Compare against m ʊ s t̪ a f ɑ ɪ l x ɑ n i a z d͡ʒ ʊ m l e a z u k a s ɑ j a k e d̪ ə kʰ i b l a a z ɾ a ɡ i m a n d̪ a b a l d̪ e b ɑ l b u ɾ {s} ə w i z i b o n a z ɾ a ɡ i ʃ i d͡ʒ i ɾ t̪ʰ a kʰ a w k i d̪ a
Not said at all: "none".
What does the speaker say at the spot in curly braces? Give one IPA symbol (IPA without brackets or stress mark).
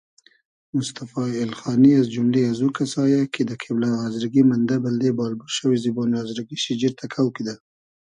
ʃ